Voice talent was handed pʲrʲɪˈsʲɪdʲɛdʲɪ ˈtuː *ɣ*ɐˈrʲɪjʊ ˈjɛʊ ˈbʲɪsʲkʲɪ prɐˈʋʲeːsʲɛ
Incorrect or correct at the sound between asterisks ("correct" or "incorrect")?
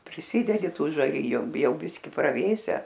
incorrect